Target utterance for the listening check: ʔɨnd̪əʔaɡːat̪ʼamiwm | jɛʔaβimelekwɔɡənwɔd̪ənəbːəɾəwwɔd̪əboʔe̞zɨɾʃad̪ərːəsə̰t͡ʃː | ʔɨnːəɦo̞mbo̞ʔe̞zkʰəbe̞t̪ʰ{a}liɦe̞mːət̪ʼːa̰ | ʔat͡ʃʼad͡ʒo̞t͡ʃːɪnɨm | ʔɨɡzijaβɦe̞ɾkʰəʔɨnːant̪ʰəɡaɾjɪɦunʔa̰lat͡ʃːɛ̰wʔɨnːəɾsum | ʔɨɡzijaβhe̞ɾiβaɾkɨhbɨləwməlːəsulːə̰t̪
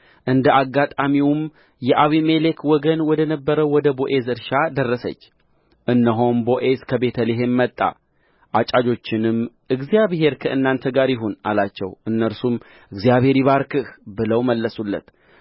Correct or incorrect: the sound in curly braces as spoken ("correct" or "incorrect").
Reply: incorrect